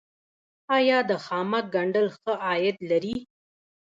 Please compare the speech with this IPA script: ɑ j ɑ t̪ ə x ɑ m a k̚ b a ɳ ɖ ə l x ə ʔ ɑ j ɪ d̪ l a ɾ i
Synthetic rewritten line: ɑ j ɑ d̪ ə x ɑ m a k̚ ɡ a ɳ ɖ ə l x ə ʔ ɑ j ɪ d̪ l a ɾ i